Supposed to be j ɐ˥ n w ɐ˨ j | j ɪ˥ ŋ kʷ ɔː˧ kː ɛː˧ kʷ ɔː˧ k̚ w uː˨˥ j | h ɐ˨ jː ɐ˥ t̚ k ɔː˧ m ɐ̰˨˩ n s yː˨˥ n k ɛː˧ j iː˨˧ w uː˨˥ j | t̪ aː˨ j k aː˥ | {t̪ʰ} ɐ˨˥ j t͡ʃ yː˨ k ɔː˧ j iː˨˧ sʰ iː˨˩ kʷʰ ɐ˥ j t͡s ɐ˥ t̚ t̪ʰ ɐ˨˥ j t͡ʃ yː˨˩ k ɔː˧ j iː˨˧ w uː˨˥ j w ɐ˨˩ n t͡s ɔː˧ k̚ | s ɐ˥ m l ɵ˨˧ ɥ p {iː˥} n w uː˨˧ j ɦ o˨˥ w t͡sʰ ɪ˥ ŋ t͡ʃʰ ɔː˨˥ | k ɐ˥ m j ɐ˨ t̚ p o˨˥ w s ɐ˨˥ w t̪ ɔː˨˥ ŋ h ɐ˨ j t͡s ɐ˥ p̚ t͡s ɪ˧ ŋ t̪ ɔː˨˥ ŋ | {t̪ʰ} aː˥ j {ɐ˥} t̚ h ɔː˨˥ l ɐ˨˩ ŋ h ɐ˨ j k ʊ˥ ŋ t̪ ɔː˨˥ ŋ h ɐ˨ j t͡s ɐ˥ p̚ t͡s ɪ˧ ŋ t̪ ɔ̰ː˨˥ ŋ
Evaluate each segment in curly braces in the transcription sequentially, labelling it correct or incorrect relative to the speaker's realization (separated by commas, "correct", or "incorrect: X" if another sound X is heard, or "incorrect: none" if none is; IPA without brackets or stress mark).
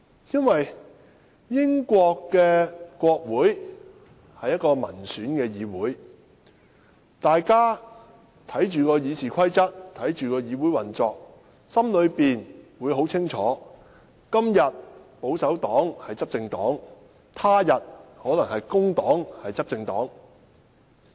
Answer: correct, incorrect: iː˨, correct, incorrect: ɐ˨